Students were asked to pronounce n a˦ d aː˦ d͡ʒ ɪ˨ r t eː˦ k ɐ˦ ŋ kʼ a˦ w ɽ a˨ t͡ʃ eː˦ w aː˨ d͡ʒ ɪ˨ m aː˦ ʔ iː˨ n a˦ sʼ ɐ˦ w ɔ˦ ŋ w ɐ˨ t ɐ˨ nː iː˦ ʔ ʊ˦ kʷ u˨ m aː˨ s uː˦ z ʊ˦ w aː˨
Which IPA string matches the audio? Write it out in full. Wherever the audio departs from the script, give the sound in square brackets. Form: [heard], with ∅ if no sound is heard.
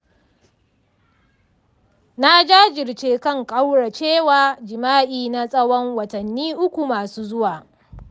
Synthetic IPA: n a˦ [d͡ʒ] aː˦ d͡ʒ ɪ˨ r [t͡ʃ] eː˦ k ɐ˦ ŋ kʼ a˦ w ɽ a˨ t͡ʃ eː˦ w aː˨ d͡ʒ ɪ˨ m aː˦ ʔ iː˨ n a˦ sʼ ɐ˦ w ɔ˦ ŋ w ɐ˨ t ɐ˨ nː iː˦ ʔ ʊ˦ kʷ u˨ m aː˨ s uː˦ z ʊ˦ w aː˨